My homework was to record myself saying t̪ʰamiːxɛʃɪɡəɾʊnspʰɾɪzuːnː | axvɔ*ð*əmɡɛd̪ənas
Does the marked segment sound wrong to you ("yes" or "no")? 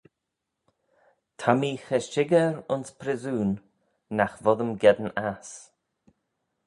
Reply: no